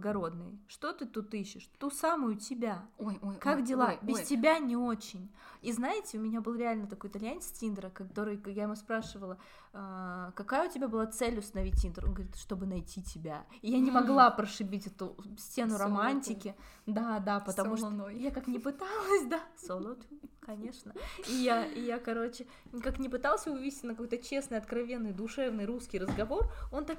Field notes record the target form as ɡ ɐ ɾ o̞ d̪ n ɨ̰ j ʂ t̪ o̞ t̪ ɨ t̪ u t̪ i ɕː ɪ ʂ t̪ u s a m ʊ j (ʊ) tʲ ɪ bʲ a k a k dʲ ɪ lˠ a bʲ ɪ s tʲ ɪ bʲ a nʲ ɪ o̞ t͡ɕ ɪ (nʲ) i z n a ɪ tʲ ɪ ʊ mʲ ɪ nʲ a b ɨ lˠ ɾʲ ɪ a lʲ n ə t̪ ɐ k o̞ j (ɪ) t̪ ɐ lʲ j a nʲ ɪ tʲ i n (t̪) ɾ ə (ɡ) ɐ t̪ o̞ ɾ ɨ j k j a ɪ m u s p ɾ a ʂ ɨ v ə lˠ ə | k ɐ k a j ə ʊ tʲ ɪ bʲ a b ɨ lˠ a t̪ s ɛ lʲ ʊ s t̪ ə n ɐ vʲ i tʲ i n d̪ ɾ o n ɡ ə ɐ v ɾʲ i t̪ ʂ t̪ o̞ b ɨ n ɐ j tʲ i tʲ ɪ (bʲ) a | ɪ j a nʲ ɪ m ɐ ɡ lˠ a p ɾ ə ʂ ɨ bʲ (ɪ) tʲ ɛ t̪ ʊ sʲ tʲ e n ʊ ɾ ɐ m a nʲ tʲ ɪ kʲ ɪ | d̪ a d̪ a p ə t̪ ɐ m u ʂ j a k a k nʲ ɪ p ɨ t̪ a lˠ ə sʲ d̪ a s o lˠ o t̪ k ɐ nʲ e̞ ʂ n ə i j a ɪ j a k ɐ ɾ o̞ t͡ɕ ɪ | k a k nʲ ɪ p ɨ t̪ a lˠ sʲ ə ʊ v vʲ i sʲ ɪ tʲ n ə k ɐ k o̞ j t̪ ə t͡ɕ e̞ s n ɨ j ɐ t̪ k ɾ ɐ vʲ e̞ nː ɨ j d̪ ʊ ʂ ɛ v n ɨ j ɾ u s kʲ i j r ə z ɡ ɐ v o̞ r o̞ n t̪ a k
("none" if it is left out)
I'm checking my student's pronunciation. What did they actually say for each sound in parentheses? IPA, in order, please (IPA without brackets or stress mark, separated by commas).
ʊ, nʲ, ɪ, d̪, k, bʲ, i